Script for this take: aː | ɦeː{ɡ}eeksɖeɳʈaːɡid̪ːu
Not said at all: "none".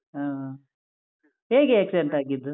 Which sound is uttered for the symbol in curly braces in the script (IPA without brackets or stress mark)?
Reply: ɡ